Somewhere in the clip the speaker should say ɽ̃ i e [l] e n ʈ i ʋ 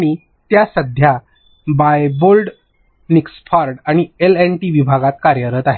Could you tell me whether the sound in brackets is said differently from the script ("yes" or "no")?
no